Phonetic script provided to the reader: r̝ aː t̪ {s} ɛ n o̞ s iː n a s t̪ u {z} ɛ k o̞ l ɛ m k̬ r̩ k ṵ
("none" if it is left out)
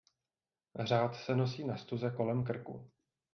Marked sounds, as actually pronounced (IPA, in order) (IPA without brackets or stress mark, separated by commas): s, z